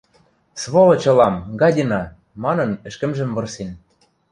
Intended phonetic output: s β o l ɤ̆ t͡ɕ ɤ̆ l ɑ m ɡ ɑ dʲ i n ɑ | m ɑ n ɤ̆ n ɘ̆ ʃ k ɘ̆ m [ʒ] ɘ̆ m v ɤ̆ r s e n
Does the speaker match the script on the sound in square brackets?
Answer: yes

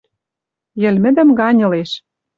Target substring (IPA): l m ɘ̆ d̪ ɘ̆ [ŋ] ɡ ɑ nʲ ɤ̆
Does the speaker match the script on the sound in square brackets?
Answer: no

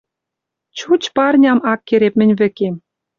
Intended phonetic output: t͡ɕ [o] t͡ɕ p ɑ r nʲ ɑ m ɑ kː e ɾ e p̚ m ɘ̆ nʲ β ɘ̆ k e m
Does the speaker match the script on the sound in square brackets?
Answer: no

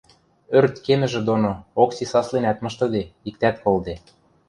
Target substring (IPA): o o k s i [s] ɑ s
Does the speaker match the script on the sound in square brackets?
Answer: yes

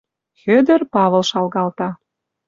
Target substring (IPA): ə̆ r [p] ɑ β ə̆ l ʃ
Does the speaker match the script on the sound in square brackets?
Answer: yes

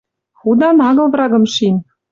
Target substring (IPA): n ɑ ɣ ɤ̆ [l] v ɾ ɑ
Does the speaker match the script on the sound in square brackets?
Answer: yes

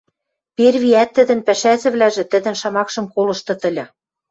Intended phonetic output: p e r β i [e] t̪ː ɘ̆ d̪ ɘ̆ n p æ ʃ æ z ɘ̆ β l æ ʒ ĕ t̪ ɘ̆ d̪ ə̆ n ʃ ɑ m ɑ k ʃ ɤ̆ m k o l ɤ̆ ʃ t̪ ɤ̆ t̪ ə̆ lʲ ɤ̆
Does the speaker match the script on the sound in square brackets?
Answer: no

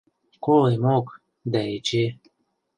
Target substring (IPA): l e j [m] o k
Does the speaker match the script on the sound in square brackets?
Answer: yes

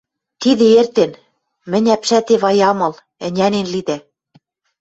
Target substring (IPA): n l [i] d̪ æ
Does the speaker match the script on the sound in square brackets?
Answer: yes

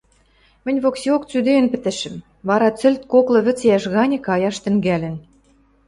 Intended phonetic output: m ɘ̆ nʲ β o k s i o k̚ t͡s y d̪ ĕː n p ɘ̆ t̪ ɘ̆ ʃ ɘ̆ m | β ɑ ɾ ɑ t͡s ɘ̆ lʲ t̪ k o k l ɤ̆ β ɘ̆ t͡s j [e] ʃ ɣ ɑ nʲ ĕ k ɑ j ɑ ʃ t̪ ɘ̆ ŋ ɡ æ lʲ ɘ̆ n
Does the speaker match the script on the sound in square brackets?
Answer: no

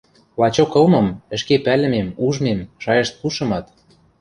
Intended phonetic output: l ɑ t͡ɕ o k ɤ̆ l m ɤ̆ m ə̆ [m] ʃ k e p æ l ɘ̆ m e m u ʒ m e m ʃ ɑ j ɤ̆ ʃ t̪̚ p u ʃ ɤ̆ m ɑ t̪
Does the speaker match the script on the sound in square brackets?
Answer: no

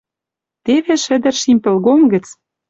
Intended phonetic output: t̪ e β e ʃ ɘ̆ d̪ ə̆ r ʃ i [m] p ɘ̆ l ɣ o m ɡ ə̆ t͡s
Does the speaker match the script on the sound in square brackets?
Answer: yes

